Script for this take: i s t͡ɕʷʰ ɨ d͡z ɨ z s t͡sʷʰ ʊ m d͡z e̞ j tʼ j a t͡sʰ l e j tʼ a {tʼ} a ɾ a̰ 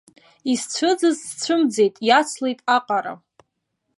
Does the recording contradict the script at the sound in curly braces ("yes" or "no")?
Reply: yes